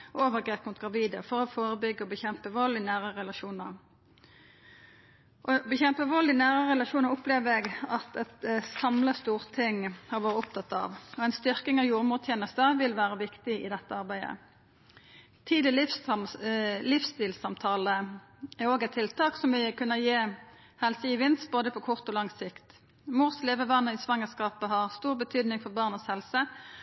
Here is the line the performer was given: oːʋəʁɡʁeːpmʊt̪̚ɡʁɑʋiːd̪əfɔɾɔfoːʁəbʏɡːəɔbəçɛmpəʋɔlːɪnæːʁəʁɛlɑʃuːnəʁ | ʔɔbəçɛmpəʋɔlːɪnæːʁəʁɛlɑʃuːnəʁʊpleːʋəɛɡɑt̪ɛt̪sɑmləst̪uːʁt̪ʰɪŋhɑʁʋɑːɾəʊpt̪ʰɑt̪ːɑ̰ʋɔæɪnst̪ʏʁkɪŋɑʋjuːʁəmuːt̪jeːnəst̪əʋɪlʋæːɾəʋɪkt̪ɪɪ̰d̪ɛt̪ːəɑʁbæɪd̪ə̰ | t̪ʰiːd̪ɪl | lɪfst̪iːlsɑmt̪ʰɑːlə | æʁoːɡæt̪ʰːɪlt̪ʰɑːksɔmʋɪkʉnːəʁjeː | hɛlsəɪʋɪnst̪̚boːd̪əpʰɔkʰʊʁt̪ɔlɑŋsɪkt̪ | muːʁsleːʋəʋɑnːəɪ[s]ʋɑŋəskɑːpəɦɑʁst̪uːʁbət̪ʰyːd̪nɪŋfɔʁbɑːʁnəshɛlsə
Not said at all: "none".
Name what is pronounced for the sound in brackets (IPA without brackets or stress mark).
s